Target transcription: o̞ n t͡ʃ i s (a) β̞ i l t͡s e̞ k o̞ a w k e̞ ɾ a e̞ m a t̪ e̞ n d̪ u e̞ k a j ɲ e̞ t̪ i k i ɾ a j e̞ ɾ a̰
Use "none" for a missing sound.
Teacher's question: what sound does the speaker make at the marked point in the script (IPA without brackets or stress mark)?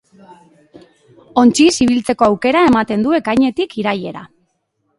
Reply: i